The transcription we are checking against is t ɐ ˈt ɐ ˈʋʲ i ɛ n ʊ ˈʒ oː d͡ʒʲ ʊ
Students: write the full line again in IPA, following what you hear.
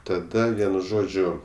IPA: t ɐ ˈd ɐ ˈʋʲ i ɛ n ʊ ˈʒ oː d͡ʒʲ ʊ